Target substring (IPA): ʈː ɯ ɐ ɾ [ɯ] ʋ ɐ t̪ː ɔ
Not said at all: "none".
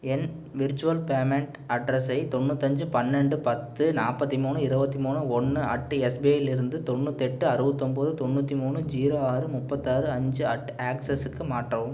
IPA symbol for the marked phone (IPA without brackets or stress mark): ɯ